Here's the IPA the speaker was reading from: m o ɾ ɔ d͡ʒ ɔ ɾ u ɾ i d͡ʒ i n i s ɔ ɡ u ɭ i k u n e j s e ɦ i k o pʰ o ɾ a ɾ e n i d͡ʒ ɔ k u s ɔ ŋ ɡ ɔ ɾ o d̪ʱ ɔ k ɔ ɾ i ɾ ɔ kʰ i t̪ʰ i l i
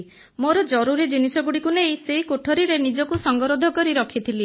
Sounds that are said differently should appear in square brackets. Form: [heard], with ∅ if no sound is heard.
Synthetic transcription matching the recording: m o ɾ ɔ d͡ʒ ɔ ɾ u ɾ i d͡ʒ i n i s ɔ ɡ u [ɽ] i k u n e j s e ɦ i k o [ʈʰ] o ɾ [i] ɾ e n i d͡ʒ ɔ k u s ɔ ŋ ɡ ɔ ɾ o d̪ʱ ɔ k ɔ ɾ i ɾ ɔ kʰ i t̪ʰ i l i